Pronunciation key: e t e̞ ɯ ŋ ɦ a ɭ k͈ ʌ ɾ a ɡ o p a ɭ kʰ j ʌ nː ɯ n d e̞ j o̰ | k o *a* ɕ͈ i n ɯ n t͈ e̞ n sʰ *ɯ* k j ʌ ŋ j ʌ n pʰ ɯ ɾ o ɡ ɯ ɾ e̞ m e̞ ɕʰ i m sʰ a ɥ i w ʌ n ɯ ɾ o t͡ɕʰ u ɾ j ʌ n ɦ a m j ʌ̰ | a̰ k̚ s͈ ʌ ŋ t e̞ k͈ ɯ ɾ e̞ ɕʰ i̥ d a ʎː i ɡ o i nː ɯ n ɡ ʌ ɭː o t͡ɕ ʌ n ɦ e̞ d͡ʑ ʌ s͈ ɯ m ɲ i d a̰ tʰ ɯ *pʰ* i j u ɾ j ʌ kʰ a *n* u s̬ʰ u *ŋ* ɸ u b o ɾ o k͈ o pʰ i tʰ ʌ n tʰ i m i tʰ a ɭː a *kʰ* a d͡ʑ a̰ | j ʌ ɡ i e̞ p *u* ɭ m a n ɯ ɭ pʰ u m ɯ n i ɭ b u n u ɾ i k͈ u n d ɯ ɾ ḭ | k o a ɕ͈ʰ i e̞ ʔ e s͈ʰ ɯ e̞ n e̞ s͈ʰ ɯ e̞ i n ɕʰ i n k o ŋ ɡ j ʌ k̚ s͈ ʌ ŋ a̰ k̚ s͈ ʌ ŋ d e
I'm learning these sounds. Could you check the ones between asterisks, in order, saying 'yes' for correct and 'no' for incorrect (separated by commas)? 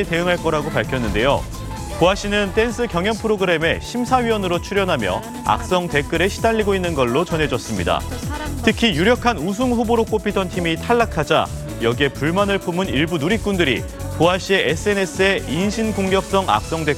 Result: yes, yes, no, yes, yes, yes, yes